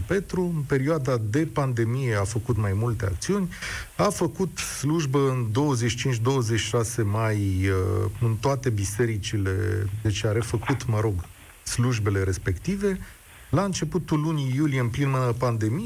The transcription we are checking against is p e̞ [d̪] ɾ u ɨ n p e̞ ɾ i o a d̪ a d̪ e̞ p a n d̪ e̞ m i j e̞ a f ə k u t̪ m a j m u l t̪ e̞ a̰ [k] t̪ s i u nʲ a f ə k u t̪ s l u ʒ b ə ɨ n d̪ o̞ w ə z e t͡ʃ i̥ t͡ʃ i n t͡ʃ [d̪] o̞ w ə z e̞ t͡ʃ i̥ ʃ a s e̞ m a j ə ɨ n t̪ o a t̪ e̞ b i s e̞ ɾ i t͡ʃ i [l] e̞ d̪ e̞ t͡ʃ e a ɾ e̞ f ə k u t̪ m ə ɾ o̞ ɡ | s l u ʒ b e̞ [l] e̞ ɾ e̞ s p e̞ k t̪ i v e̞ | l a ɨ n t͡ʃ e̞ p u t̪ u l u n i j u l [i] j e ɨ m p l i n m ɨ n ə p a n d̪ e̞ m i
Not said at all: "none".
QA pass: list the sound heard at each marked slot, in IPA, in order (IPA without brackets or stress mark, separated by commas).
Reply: t̪, k, d̪, l, l, i